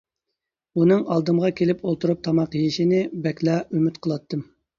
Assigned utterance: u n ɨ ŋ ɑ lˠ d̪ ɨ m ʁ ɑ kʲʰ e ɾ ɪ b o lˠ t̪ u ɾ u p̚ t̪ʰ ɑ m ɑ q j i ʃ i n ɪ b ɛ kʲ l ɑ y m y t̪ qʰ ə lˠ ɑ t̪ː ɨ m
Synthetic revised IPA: u n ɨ ŋ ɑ lˠ d̪ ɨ m ʁ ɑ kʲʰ e l ɪ p o lˠ t̪ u ɾ u p̚ t̪ʰ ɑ m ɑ q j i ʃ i n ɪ b ɛ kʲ l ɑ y m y t̪ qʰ ə lˠ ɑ t̪ː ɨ m